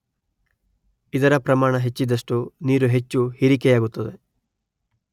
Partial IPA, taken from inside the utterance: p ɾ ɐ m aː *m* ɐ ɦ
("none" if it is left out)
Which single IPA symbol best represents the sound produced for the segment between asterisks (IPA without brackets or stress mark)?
ɳ